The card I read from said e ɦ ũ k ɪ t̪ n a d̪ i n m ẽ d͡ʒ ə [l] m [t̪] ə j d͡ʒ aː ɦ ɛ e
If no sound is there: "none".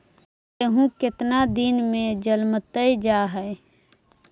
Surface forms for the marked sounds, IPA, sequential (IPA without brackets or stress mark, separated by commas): l, t̪